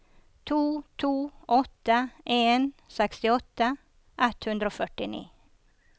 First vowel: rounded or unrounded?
rounded